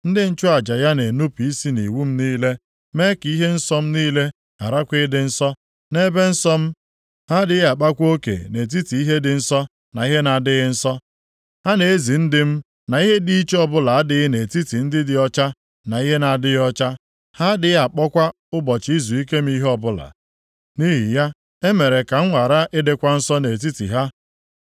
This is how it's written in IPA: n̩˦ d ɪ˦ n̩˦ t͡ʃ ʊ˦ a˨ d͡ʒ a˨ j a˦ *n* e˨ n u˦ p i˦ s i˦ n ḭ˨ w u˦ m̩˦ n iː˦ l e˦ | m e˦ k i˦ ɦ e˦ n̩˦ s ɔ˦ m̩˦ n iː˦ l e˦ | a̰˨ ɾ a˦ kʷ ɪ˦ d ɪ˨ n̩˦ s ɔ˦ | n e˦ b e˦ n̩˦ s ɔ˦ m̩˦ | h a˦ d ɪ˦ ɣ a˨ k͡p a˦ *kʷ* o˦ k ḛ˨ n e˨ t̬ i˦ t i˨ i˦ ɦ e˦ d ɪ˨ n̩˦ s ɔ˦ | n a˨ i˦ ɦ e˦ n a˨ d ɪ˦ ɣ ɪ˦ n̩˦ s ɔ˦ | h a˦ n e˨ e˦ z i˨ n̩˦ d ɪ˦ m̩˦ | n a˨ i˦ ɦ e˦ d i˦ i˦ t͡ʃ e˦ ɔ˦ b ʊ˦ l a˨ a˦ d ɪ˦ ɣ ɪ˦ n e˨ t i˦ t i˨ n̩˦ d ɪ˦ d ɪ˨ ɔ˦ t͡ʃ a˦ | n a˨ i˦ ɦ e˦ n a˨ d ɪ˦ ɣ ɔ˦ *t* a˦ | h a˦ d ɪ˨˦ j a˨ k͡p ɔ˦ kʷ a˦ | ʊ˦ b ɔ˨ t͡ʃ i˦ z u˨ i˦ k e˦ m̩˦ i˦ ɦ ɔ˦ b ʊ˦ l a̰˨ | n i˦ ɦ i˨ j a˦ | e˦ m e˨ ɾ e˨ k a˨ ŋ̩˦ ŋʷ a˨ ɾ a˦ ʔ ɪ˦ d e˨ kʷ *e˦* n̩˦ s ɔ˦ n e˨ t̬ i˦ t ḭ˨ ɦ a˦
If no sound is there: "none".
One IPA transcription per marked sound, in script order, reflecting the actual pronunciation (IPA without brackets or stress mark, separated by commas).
n, kʷ, t͡ʃ, a˦